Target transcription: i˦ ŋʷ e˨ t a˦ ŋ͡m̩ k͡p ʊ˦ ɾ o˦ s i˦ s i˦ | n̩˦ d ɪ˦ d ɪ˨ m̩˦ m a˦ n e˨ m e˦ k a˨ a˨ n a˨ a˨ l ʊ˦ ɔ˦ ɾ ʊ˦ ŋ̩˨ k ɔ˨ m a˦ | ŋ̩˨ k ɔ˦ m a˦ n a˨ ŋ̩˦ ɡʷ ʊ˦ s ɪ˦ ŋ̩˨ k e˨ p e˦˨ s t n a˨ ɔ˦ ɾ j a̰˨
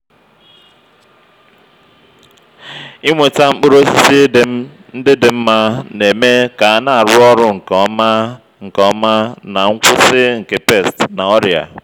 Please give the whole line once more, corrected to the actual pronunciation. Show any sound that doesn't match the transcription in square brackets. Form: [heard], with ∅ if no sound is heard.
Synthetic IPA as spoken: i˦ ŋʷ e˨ t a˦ ŋ͡m̩ k͡p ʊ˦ ɾ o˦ s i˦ s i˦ | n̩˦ d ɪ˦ d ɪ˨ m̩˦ m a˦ n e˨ m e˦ k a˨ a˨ n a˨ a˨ [ɾ] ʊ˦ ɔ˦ ɾ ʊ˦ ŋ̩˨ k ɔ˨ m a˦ | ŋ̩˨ k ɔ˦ m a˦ n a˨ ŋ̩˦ [kʷ] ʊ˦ s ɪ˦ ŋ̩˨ k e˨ p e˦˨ s t n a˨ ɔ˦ ɾ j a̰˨